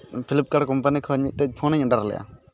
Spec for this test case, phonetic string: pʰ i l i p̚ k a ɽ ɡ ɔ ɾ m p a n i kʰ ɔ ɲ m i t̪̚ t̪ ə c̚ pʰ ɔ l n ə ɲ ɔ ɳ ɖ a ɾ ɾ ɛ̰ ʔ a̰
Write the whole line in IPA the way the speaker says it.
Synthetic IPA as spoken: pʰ i l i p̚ k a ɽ k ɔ m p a n i kʰ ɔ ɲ m i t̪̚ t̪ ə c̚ pʰ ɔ n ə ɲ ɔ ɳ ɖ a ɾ l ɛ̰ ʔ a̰

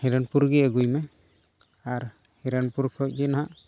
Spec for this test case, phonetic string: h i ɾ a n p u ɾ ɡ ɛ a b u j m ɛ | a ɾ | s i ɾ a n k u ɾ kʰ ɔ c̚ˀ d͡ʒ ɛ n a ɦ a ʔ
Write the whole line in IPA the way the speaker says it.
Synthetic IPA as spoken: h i ɾ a n p u ɾ ɡ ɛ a ɡ u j m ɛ | a ɾ | h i ɾ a n p u ɾ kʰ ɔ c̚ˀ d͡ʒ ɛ n a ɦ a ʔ

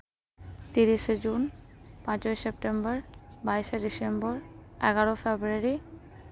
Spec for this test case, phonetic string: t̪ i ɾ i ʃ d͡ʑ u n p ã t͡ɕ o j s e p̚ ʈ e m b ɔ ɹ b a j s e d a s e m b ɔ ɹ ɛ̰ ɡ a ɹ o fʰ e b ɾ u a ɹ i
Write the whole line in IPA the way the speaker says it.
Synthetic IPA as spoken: t̪ i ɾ i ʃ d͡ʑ u n p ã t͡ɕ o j s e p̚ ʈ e m b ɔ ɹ b a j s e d i s e m b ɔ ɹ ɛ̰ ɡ a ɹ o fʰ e b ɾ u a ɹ i

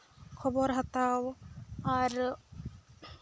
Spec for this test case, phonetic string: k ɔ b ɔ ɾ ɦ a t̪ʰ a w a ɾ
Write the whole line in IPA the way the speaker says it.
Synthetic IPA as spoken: kʰ ɔ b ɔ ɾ ɦ a t̪ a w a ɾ

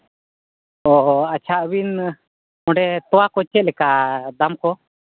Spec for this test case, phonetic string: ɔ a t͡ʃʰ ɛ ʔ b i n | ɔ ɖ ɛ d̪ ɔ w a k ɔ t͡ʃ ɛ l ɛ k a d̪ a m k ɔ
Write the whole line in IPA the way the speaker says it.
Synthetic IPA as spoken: ɔ a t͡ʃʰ a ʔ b i n | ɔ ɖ ɛ t̪ ɔ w a k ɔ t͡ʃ ɛ l ɛ k a d̪ a m k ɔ

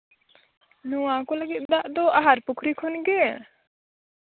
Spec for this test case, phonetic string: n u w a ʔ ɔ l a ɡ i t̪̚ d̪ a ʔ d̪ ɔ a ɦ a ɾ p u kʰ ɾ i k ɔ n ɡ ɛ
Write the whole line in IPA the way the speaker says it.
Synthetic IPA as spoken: n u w a k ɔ l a ɡ i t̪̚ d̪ a ʔ d̪ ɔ a ɦ a ɾ p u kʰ ɾ i kʰ ɔ n ɡ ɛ

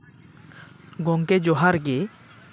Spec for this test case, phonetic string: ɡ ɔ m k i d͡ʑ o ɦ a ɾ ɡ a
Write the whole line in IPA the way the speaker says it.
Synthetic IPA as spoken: ɡ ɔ ŋ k e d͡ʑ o ɦ a ɾ ɡ e

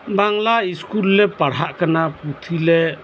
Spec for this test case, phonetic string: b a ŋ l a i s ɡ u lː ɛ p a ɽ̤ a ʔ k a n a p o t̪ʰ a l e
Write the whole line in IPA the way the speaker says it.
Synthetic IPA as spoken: b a ŋ l a i s k u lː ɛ p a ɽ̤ a ʔ k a n a p u t̪ʰ i l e

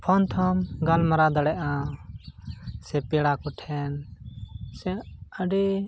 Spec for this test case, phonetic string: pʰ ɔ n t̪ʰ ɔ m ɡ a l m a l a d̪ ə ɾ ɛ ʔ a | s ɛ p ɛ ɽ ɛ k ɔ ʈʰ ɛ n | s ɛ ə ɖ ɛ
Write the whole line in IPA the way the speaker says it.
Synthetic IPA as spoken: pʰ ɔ n t̪ʰ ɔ m ɡ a l m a ɾ a d̪ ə ɽ ɛ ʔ a | s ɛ p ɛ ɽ a k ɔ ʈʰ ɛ n | s ɛ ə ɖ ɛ

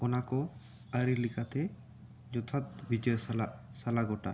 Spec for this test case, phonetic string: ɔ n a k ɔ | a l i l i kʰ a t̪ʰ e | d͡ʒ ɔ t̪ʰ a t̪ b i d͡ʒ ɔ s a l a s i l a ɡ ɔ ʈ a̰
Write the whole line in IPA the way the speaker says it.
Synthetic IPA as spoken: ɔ n a k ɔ | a ɾ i l i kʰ a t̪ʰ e | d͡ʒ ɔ t̪ʰ a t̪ b i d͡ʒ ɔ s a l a s a l a ɡ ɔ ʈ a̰

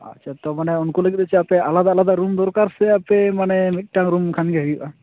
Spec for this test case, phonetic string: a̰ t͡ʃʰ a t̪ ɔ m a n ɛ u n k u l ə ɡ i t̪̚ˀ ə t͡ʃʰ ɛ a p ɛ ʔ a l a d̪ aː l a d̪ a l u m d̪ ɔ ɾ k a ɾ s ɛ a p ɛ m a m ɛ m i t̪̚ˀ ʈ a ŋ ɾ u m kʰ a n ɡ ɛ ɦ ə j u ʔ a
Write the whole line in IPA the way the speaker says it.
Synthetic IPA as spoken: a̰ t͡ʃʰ a t̪ ɔ m a n ɛ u n k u l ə ɡ i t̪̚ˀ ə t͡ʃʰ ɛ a p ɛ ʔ a l a d̪ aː l a d̪ a ɾ u m d̪ ɔ ɾ k a ɾ s ɛ a p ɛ m a n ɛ m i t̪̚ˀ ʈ a ŋ ɾ u m kʰ a n ɡ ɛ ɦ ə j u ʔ a

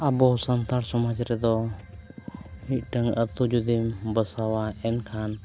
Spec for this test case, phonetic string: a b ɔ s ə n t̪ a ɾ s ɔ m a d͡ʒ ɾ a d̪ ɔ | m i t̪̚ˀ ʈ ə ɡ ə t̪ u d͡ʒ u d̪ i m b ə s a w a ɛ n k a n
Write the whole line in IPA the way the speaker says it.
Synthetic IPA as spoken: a b ɔ s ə n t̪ a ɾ s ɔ m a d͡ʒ ɾ ɛ d̪ ɔ | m i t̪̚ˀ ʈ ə ŋ ə t̪ u d͡ʒ u d̪ i m b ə s a w a ɛ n kʰ a n

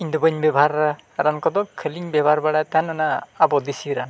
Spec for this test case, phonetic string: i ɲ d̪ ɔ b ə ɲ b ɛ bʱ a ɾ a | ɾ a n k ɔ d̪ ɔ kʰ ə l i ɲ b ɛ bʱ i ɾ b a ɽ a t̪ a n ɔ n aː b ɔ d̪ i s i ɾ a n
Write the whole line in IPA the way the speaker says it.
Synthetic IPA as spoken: i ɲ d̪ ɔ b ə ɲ b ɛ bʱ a ɾ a | ɾ a n k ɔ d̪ ɔ kʰ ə l i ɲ b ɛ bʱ a ɾ b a ɽ a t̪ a n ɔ n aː b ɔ d̪ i s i ɾ a n

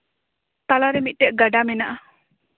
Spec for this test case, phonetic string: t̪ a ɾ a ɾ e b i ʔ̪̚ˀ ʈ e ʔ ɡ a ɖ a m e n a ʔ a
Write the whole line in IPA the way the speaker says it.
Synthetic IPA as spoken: t̪ a l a ɾ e m i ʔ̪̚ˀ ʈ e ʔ ɡ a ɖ a m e n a ʔ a

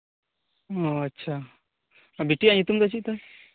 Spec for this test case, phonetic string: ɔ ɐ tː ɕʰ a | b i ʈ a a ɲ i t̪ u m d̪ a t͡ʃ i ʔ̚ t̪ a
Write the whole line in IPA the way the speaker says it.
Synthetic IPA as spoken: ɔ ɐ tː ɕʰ a | b i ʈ i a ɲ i t̪ u m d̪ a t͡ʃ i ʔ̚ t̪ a

